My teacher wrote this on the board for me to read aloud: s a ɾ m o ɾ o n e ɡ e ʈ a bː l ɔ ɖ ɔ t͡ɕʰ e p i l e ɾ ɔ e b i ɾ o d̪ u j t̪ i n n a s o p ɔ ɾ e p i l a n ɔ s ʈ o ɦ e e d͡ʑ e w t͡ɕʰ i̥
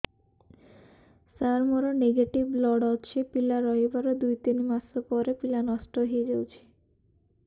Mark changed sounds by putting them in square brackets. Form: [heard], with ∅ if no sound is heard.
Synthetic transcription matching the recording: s a ɾ m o ɾ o n e ɡ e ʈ [i] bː l ɔ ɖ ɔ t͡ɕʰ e p i l [a] ɾ ɔ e b [a] ɾ o d̪ u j t̪ i n [m] a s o p ɔ ɾ e p i l a n ɔ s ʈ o ɦ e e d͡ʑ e w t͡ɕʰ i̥